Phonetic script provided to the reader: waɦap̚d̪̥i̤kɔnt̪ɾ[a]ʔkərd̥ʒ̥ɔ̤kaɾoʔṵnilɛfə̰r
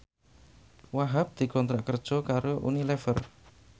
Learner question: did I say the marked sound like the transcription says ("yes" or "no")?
yes